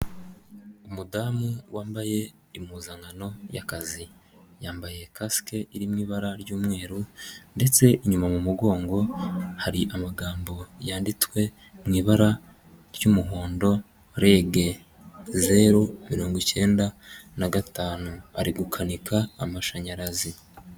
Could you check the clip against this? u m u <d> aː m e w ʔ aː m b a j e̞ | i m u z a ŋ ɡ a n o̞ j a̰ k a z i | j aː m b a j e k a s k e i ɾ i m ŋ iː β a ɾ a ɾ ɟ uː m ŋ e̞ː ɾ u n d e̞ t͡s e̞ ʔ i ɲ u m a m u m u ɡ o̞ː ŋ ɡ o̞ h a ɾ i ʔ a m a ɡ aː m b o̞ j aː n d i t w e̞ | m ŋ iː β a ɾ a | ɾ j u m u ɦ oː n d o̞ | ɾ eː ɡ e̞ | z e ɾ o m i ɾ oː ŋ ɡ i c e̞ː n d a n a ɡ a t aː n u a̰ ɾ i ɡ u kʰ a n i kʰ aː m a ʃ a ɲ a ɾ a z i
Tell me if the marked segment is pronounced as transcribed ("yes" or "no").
yes